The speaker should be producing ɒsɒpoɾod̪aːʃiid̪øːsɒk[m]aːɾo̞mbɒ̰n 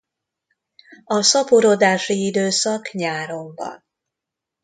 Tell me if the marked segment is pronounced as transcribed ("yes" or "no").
no